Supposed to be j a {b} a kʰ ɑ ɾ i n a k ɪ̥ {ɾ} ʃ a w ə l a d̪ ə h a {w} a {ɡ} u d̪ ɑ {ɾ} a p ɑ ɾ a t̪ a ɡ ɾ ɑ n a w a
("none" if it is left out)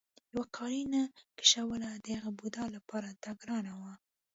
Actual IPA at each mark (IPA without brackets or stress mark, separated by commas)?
w, none, ɣ, b, l